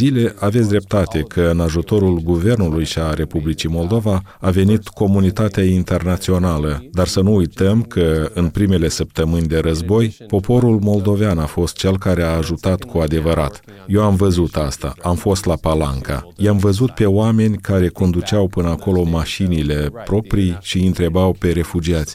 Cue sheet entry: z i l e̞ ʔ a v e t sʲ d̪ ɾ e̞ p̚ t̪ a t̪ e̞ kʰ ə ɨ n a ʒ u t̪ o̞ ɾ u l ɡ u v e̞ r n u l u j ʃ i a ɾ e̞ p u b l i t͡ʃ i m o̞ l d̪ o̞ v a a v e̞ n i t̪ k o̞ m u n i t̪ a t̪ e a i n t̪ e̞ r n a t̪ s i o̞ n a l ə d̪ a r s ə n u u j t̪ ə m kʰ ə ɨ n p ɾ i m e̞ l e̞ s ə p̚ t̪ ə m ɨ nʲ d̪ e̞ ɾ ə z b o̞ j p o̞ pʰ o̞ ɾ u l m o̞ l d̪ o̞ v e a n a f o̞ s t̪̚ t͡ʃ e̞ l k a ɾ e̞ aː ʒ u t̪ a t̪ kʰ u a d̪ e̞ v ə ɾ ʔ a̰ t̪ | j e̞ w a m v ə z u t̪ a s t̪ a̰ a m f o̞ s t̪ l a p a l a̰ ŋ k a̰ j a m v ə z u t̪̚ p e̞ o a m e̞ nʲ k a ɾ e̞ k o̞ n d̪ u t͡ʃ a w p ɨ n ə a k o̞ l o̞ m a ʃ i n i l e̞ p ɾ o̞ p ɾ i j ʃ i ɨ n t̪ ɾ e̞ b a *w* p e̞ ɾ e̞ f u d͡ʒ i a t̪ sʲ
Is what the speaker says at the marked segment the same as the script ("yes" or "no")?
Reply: yes